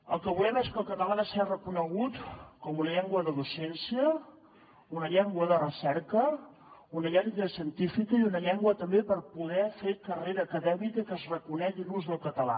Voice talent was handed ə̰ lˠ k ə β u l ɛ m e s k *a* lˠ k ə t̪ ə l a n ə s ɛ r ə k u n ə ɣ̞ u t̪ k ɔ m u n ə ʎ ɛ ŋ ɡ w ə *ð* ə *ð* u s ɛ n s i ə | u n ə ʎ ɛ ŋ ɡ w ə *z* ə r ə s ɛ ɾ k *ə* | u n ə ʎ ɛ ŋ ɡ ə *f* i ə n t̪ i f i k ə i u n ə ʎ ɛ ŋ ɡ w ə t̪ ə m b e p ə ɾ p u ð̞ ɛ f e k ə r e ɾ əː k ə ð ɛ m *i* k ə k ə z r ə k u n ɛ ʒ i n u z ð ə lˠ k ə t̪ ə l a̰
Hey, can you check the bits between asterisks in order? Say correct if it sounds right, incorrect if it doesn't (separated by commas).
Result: incorrect, correct, correct, incorrect, correct, incorrect, correct